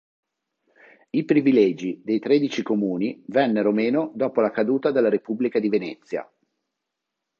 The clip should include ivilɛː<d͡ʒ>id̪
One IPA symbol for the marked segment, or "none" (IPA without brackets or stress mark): d͡ʒ